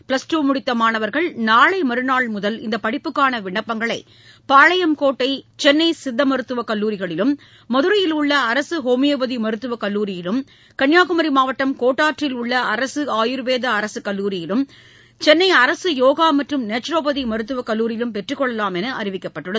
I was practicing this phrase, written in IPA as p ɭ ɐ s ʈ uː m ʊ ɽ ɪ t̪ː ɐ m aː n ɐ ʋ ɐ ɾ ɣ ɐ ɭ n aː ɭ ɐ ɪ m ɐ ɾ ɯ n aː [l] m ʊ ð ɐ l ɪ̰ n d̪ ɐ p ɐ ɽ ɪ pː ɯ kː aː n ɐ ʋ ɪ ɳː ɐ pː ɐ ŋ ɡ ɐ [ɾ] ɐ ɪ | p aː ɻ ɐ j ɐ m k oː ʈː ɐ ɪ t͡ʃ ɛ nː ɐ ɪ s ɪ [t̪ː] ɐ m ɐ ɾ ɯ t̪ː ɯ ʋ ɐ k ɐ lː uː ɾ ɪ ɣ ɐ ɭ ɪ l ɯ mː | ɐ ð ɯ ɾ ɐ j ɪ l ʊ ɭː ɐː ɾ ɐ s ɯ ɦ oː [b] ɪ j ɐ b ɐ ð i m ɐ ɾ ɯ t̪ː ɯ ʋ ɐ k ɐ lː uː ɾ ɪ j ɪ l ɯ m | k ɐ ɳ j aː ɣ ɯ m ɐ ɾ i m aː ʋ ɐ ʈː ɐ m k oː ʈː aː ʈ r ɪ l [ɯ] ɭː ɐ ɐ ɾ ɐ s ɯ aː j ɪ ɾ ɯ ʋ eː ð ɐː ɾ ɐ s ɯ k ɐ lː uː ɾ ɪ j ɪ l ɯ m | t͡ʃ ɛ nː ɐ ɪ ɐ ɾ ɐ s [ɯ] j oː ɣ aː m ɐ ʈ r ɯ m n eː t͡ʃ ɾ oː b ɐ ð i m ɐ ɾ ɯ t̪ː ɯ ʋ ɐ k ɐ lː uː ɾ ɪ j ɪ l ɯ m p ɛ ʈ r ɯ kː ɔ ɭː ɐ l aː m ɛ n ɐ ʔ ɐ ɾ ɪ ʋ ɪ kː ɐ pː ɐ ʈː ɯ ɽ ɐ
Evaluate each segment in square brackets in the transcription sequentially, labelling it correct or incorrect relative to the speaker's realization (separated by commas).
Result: incorrect, incorrect, incorrect, incorrect, incorrect, correct